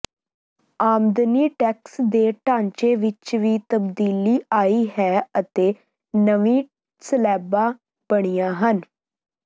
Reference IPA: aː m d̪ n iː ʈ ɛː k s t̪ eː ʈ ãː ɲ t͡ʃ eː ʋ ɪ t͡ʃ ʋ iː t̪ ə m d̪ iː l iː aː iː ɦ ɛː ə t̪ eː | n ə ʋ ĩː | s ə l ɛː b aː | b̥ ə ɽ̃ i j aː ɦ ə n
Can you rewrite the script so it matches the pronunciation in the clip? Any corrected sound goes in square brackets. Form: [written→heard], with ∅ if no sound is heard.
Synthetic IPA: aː m d̪ n iː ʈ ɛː k s [t̪→d̪] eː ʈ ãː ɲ t͡ʃ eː ʋ ɪ t͡ʃ ʋ iː t̪ ə [m→b] d̪ iː l iː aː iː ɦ ɛː ə t̪ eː | n ə ʋ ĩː | s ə l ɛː b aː | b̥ ə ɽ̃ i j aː ɦ ə n